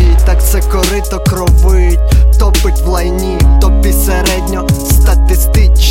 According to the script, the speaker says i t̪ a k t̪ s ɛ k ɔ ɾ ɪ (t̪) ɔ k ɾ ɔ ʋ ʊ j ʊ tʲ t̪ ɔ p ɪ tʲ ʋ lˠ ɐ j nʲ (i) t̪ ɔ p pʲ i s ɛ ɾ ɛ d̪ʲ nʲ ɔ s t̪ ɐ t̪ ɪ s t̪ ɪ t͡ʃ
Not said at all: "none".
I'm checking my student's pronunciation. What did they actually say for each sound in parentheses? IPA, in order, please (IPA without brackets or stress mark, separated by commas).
t̪, i